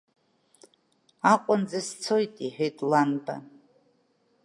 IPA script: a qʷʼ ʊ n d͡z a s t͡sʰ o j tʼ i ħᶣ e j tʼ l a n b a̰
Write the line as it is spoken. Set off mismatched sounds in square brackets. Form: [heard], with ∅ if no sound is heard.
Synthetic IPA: a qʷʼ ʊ n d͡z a s t͡sʰ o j tʼ i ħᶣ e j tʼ l a n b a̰